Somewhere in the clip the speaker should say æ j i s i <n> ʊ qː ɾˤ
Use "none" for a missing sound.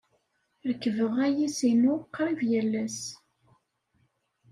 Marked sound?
n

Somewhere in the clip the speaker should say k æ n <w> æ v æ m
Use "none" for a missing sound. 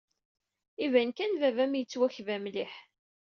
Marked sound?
v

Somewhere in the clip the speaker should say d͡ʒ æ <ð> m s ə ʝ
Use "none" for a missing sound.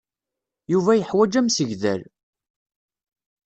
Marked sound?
none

